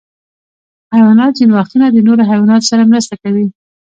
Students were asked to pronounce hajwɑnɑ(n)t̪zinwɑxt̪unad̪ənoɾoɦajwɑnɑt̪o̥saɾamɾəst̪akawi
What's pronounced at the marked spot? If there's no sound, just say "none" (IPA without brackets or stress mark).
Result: none